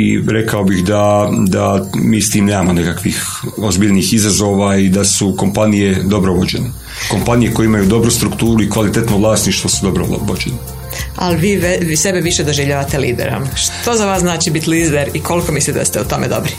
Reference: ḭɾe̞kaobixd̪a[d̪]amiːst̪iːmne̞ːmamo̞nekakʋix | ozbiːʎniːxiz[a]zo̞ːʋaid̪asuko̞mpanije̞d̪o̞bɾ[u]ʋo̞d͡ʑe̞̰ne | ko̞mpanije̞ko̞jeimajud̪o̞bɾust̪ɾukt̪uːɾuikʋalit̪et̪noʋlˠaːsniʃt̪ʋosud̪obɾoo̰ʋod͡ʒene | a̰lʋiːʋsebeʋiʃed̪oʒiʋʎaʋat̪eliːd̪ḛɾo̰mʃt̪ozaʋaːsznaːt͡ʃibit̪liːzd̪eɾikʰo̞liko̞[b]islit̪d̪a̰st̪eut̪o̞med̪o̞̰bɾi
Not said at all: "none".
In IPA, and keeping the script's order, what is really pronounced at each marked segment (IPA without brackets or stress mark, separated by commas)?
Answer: d̪, a, o, m